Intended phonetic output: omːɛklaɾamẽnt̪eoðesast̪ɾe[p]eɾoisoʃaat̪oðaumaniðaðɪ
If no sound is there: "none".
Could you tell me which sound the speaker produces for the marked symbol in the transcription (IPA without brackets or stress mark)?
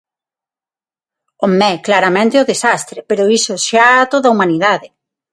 p